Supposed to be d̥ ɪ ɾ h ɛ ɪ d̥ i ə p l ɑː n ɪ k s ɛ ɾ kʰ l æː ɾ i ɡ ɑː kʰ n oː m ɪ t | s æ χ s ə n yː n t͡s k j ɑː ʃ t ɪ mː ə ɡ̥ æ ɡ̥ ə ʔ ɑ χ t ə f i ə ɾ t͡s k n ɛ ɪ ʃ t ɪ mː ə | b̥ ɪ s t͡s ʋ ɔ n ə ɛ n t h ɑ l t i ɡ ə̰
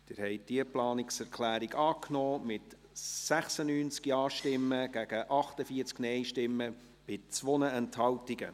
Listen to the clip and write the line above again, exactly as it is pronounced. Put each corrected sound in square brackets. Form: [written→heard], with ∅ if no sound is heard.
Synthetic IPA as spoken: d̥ ɪ ɾ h ɛ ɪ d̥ i ə p l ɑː n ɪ k s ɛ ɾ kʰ l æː ɾ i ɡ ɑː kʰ n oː m ɪ t | s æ χ s ə n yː n t͡s k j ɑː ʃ t ɪ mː ə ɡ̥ æ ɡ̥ ə ʔ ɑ χ t ə f i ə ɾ t͡s k n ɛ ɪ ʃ t ɪ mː ə | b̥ ɪ [s→∅] t͡s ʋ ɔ n ə ɛ n t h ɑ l t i ɡ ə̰